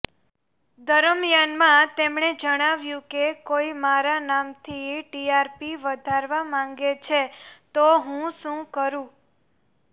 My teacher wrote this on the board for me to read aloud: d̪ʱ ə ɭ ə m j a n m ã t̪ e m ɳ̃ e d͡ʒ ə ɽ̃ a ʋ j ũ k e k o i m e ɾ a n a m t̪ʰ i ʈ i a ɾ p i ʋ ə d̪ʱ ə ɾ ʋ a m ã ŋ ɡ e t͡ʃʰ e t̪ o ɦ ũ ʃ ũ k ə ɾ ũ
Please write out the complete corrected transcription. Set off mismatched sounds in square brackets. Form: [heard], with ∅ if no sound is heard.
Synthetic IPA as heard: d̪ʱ ə [ɾ] ə m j a n m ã t̪ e m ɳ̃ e d͡ʒ ə ɽ̃ a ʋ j ũ k e k o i m [a] ɾ a n a m t̪ʰ i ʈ i a ɾ p i ʋ ə d̪ʱ [a] ɾ ʋ a m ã ŋ ɡ e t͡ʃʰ e t̪ o ɦ ũ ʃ ũ k ə ɾ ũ